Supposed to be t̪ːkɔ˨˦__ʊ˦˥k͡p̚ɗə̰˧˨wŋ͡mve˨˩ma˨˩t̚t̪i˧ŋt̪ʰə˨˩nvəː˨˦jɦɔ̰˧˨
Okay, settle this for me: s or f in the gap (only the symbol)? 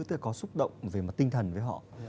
s